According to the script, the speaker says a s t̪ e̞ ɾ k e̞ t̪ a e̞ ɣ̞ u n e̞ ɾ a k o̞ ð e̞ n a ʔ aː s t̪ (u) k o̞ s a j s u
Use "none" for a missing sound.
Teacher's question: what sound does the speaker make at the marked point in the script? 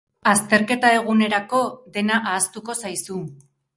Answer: u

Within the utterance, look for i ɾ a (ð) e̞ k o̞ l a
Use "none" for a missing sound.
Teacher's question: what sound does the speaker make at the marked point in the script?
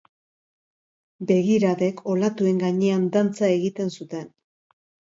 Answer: ð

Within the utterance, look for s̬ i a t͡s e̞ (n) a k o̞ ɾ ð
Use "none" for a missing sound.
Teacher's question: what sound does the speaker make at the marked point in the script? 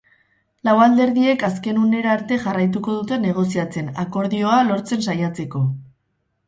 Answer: n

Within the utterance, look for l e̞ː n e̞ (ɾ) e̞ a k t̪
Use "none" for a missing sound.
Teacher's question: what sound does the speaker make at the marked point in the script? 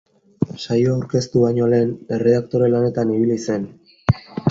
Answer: r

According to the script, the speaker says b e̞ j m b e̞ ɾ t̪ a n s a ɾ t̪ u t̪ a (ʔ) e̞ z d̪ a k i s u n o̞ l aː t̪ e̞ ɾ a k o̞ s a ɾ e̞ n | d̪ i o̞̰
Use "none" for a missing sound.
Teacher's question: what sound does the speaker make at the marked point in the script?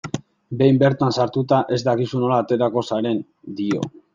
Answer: ʔ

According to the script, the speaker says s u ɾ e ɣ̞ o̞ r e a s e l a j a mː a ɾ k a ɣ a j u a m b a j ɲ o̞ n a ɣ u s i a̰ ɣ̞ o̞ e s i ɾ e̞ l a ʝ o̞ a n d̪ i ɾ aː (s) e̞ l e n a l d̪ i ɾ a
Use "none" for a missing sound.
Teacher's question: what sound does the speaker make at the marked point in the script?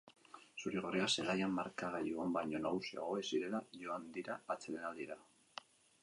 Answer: t͡s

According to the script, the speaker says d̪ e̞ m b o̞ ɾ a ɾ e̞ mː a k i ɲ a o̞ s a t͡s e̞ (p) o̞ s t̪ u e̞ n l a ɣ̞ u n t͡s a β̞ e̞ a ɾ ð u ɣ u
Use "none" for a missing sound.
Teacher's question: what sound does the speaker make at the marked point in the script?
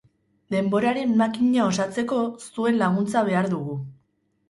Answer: k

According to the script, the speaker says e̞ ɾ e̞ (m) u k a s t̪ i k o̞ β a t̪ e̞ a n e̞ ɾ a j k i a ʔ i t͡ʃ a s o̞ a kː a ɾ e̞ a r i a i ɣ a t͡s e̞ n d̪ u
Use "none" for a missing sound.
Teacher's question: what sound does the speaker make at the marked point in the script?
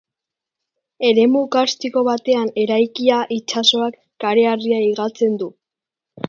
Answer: m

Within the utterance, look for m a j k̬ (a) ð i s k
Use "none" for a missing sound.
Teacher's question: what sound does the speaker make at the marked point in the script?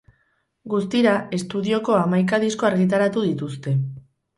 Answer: a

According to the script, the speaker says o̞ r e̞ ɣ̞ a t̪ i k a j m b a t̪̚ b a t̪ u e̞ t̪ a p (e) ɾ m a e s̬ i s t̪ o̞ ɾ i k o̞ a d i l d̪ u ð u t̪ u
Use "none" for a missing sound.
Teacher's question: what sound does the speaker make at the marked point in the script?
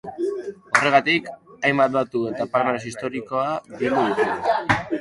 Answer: a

